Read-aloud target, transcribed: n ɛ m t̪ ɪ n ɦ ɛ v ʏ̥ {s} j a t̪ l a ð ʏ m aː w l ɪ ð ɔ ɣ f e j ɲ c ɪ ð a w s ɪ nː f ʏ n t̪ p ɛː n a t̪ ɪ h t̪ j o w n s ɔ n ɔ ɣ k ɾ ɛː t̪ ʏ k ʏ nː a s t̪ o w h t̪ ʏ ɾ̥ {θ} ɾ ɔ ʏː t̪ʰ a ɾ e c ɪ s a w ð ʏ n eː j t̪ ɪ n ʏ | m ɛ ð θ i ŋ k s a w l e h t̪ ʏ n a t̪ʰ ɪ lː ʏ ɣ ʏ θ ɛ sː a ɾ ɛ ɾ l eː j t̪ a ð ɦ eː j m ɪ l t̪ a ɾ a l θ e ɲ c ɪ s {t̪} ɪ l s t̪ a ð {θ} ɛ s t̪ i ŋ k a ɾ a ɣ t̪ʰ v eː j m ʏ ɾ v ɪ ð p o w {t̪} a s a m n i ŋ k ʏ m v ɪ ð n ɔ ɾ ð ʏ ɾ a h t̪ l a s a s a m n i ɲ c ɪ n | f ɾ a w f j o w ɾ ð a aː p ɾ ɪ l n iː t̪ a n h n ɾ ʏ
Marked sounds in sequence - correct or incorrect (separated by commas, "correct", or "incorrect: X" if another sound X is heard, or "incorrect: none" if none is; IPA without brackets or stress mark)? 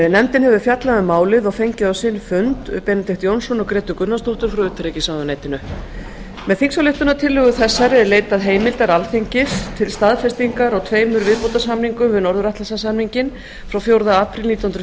incorrect: f, incorrect: f, incorrect: t̪ʰ, incorrect: f, correct